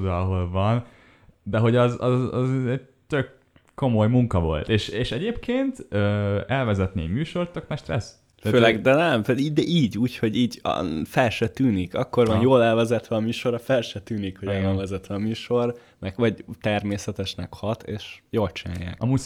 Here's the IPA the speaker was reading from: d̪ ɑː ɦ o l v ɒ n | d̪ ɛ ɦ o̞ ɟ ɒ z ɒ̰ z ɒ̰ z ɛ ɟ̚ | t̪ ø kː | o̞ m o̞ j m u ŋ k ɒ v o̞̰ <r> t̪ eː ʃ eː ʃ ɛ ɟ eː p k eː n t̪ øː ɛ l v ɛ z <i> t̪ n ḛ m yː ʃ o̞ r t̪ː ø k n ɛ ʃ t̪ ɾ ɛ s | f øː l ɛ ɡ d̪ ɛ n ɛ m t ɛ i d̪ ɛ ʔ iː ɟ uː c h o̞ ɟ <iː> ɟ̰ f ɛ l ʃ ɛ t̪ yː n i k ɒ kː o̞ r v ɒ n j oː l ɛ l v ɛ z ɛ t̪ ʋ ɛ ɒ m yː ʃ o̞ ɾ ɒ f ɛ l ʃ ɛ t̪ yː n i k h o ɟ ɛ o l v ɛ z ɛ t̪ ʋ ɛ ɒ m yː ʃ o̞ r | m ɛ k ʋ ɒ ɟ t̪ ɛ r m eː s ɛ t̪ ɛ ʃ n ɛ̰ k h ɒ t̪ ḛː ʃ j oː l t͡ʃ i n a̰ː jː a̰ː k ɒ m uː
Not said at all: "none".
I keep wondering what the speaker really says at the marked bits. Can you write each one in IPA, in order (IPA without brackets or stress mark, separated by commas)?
l, ɛ, iː